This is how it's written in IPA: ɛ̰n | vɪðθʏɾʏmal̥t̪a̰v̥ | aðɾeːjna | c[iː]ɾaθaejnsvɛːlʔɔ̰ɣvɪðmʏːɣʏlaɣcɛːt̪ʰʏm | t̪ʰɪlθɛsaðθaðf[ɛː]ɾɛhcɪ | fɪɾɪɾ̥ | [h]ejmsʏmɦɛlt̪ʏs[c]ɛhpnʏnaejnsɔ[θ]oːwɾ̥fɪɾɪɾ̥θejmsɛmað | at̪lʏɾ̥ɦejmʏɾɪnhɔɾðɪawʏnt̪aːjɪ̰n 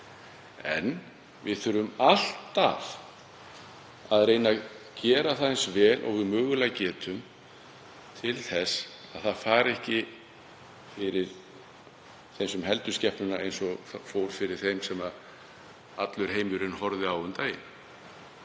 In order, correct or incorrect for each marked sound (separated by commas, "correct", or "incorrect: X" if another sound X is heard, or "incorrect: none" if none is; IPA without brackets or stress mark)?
incorrect: ɛː, incorrect: aː, incorrect: θ, correct, incorrect: f